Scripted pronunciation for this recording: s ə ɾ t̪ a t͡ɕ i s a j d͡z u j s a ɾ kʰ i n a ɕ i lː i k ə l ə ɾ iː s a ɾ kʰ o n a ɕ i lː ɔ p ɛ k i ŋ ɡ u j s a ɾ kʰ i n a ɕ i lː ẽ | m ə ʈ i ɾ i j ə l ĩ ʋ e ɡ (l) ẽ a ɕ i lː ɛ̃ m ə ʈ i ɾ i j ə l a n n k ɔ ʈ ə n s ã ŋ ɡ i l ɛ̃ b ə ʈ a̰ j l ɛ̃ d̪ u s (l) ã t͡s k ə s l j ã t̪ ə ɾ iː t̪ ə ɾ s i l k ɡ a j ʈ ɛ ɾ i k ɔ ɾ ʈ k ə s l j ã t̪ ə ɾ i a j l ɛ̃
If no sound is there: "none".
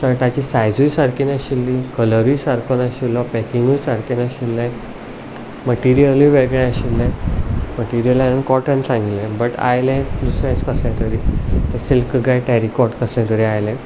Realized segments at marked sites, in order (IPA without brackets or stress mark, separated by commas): ɭ, ɾ